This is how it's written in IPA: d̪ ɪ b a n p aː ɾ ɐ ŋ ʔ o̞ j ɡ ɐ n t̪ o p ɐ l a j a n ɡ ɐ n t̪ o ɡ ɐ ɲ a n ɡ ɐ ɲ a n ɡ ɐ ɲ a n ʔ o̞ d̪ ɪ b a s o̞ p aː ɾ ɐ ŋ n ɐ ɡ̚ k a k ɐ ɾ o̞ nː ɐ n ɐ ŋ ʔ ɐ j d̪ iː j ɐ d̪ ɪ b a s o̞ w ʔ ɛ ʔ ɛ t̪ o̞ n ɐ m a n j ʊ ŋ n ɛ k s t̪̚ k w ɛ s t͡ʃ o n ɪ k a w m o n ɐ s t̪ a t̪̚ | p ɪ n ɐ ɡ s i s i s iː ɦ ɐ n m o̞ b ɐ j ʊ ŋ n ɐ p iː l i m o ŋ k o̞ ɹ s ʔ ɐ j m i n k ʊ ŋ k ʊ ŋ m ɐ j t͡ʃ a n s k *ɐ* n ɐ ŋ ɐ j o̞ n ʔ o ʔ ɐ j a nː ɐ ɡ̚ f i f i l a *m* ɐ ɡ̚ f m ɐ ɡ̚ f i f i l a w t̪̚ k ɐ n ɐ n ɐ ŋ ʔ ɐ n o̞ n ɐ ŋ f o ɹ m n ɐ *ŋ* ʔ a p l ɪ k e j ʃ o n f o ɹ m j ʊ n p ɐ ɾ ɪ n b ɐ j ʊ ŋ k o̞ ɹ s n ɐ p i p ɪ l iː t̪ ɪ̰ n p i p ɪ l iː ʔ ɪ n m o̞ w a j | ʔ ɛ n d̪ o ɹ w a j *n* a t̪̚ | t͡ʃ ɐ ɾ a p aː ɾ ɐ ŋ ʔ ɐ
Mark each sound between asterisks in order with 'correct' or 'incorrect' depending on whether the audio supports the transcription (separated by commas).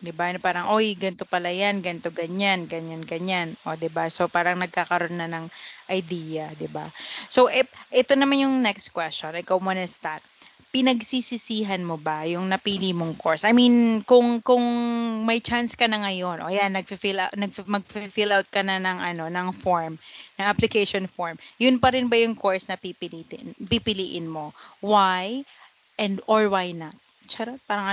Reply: correct, incorrect, correct, correct